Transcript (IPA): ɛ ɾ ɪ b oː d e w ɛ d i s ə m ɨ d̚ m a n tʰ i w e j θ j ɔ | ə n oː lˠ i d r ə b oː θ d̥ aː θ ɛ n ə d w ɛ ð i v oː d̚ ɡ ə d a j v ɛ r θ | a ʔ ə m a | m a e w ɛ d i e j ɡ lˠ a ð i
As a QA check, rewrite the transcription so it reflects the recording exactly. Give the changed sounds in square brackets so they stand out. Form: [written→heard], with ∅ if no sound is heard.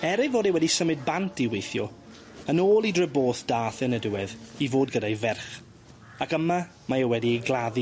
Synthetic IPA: ɛ ɾ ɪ [b→v] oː d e w ɛ d i s ə m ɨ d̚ [m→b] a n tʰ i w e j θ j ɔ | ə n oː lˠ i d r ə b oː θ d̥ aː θ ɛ n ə d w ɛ ð i v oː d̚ ɡ ə d a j v ɛ r [θ→χ] | a [ʔ→k] ə m a | m a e w ɛ d i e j ɡ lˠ a ð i